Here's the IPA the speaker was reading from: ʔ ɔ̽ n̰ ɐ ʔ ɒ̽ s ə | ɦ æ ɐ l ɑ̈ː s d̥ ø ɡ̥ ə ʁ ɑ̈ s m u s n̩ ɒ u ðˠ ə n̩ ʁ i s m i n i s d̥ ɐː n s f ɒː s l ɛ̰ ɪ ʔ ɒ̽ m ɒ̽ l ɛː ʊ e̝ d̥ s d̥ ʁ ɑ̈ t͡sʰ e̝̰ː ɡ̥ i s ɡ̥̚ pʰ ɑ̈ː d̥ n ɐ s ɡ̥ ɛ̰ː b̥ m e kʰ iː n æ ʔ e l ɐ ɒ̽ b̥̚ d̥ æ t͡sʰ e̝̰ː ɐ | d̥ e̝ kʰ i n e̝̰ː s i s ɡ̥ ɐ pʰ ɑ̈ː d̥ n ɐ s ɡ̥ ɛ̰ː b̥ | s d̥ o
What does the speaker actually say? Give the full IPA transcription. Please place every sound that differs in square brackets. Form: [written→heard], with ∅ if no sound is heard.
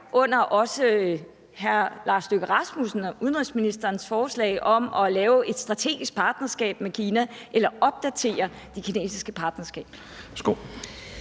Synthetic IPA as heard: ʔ ɔ̽ n̰ ɐ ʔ ɒ̽ s ə | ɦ æ ɐ l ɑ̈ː s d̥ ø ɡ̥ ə ʁ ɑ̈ s m u s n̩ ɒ u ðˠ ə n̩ ʁ i s m i n i s d̥ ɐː n s f ɒː s l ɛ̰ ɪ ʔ ɒ̽ m ɒ̽ l ɛː ʊ e̝ d̥ s d̥ ʁ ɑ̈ t͡sʰ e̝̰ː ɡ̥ i s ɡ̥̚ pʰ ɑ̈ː d̥ n ɐ s ɡ̥ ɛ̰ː b̥ m e kʰ iː n æ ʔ e l ɐ ɒ̽ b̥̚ d̥ æ t͡sʰ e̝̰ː ɐ | d̥ e̝ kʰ i n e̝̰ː s i s ɡ̥ [ɐ→ə] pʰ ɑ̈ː d̥ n ɐ s ɡ̥ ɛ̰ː b̥ | s [d̥→ɡ̥] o